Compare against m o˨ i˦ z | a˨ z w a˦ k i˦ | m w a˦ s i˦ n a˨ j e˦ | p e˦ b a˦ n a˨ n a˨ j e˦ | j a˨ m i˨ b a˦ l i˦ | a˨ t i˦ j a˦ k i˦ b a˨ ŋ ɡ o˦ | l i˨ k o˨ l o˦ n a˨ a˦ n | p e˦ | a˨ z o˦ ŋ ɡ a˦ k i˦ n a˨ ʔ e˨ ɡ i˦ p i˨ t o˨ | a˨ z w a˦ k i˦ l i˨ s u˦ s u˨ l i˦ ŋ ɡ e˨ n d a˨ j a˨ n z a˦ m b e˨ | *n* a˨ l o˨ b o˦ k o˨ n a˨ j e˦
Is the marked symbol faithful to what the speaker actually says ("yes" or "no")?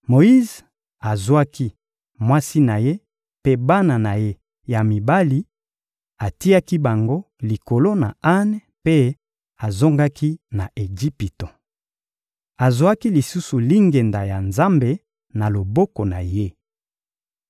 yes